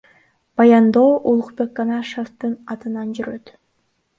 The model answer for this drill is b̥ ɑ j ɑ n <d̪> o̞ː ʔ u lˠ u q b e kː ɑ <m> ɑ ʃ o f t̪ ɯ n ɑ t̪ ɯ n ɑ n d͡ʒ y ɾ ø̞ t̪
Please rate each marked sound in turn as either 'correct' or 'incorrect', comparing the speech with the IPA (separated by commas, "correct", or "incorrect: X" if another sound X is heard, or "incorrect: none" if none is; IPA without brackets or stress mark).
correct, incorrect: n